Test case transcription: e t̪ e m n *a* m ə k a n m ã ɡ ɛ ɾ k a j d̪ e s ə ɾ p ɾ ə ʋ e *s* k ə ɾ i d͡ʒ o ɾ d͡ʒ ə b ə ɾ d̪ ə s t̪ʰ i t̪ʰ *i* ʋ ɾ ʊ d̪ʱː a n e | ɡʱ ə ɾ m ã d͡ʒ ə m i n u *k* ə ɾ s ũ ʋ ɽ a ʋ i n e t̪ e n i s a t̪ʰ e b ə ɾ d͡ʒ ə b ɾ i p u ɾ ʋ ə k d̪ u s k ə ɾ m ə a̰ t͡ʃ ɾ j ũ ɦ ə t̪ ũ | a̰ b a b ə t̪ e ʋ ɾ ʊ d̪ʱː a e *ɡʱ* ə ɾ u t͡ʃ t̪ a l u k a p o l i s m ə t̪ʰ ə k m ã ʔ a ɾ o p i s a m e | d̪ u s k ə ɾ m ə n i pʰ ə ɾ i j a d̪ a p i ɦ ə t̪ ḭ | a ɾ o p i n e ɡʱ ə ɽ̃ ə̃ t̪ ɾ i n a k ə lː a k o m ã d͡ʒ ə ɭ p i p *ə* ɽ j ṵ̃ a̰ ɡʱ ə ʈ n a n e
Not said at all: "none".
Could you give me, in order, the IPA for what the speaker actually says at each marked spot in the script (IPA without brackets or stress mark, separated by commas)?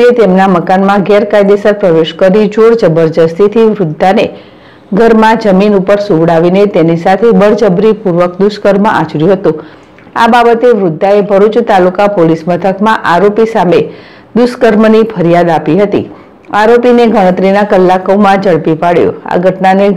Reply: a, ʃ, i, p, bʱ, a